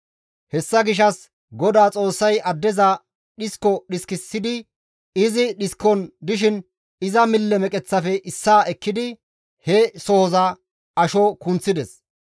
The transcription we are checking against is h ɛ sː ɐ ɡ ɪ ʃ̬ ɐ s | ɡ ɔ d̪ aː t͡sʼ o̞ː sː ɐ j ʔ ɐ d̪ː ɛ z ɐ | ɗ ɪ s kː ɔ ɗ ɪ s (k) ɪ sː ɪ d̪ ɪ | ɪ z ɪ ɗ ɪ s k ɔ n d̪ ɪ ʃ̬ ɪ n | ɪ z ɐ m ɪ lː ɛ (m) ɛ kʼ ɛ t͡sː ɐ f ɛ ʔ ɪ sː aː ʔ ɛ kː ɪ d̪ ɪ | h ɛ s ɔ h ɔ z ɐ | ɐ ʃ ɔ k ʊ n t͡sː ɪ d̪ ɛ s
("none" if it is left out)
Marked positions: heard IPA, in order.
k, m

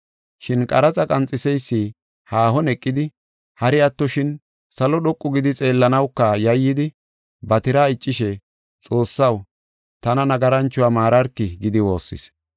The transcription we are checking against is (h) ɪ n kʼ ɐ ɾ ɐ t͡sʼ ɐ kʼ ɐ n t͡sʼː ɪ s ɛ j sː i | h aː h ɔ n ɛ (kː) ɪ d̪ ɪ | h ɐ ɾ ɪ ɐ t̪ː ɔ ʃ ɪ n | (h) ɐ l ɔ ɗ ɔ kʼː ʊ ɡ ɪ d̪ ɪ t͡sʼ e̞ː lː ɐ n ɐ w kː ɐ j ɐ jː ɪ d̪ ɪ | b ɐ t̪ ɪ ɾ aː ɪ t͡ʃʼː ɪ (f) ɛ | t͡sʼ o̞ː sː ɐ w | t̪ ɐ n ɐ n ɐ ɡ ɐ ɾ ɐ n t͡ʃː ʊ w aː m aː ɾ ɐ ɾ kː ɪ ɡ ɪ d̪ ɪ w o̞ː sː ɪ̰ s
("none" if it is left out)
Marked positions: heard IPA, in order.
ʃ, kʼː, s, ʃ

